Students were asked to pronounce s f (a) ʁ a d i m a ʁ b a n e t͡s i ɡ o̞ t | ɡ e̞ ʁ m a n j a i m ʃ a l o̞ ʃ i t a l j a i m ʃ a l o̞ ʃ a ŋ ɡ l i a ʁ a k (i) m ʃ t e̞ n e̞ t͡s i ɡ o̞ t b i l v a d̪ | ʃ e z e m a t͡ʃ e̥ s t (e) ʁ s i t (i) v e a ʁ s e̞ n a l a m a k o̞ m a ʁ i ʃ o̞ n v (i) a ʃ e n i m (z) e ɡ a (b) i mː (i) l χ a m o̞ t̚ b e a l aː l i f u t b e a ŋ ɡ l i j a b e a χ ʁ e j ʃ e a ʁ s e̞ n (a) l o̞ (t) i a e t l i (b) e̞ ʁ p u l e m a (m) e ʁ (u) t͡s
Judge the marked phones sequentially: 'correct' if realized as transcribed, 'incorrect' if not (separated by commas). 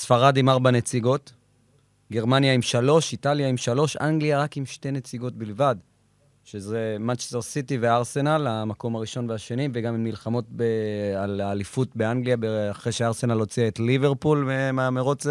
correct, correct, correct, correct, incorrect, incorrect, incorrect, correct, correct, incorrect, incorrect, correct, incorrect